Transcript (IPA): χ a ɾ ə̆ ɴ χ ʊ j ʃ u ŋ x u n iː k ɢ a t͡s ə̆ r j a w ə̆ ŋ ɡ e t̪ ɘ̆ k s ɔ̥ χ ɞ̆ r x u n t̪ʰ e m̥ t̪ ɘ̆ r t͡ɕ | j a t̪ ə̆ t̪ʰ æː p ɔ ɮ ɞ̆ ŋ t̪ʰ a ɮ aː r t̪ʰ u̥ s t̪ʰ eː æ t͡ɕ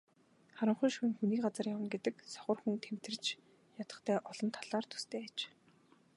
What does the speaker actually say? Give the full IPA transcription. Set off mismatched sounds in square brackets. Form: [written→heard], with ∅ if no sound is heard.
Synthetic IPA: χ a ɾ ə̆ ɴ χ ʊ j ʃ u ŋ x u n iː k ɢ a t͡s ə̆ r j a w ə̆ [ŋ→n] ɡ e t̪ ɘ̆ k s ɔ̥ χ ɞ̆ r x u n t̪ʰ e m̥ t̪ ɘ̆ r t͡ɕ | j a t̪ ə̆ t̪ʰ æː [p→ʔ] ɔ ɮ ɞ̆ [ŋ→n] t̪ʰ a ɮ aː r t̪ʰ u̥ s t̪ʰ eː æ t͡ɕ